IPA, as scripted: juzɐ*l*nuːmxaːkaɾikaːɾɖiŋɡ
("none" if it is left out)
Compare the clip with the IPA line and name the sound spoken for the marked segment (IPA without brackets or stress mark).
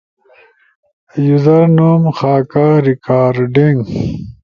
ɾ